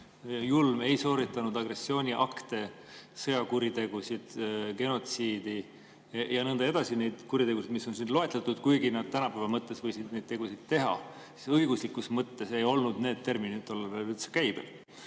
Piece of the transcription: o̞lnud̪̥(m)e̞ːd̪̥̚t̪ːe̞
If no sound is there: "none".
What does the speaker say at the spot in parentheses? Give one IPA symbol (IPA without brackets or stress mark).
n